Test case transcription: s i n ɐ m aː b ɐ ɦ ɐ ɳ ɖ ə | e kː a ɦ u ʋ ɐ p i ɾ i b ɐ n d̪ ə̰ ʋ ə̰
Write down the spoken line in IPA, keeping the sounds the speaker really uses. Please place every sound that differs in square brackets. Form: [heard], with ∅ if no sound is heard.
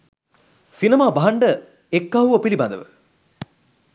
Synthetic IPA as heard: s i n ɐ m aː b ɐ ɦ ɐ ɳ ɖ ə | e kː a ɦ u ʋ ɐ p i [l] i b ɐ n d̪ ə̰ ʋ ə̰